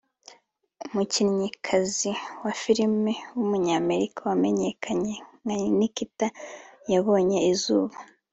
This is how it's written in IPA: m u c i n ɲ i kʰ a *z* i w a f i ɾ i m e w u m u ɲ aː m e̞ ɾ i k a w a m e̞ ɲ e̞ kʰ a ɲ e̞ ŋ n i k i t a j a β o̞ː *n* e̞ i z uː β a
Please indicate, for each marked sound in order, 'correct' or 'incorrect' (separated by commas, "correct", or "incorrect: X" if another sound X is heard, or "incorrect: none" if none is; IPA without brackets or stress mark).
correct, incorrect: ɲ